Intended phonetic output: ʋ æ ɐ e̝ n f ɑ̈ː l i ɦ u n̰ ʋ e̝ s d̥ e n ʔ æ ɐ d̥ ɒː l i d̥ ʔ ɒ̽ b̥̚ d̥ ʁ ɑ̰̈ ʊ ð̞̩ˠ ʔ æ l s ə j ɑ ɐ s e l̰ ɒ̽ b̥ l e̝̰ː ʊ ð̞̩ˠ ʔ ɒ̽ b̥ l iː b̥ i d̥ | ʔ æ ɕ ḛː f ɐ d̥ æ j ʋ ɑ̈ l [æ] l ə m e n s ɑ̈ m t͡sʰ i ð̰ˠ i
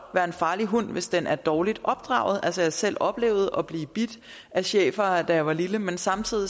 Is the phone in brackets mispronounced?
yes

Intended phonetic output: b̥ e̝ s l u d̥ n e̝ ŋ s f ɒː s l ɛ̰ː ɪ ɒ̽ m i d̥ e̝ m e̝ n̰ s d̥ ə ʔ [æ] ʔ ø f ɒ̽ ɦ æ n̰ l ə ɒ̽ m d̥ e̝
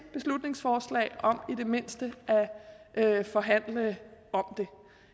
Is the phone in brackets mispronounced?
no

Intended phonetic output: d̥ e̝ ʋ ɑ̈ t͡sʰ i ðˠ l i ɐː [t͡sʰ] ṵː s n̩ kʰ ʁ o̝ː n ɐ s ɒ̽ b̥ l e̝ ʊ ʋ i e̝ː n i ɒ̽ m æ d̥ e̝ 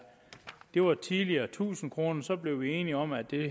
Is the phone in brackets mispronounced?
no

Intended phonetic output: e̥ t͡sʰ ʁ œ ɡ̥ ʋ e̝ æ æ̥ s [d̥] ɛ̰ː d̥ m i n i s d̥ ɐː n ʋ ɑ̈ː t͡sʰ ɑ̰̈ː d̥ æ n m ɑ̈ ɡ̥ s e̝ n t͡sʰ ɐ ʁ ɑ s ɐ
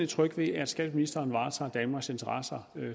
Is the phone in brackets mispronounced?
yes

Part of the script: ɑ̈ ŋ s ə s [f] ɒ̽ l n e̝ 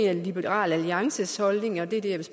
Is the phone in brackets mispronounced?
yes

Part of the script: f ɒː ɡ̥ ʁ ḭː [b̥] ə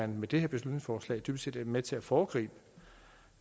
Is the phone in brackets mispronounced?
no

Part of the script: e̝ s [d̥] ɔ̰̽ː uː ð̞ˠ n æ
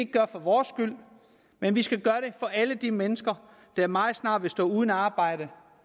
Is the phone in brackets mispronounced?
no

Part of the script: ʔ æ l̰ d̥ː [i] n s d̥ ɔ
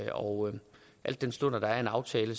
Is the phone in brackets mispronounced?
yes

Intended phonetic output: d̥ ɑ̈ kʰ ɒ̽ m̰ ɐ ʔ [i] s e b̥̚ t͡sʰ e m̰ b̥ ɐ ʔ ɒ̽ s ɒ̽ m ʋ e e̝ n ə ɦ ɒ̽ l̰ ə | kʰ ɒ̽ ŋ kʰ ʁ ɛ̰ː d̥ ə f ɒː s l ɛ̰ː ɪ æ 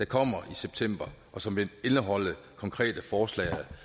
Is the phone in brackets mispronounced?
no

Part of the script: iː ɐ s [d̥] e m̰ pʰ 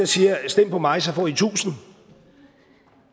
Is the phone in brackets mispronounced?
no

